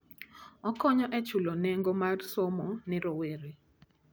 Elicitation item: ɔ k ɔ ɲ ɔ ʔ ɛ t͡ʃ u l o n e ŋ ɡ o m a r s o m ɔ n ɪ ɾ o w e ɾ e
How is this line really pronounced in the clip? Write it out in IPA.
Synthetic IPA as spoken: ɔ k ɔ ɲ ɔ ʔ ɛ t͡ʃ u l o n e ŋ ɡ o m a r s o m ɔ n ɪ ɾ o w e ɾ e